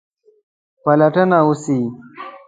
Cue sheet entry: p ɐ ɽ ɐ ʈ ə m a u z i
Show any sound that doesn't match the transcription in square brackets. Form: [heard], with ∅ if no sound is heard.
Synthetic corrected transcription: p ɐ [l] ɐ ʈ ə [n] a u [s] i